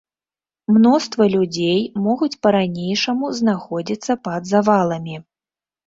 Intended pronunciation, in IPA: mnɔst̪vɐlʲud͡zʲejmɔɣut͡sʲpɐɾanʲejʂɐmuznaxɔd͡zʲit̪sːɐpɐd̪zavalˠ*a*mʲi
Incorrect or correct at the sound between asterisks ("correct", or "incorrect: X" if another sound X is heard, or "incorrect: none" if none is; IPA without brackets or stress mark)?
incorrect: ɐ